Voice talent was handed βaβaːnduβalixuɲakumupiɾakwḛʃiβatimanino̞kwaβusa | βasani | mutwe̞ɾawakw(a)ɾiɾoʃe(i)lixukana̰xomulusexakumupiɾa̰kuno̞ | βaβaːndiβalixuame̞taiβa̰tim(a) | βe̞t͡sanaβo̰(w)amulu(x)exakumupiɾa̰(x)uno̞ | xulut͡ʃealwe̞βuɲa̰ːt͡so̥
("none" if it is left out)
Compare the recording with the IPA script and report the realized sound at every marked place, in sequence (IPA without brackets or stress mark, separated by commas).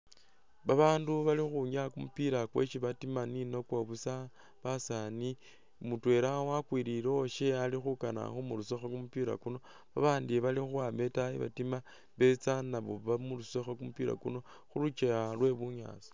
i, a, a, β, s, k